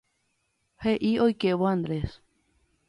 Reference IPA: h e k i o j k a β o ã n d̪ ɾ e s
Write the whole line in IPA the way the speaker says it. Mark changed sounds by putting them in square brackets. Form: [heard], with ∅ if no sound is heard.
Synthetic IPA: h e [ʔ] i o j k [e] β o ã n d̪ ɾ e s